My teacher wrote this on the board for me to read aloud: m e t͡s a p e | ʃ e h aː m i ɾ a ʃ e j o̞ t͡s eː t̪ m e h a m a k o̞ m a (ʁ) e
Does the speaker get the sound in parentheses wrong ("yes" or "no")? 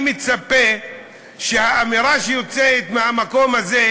yes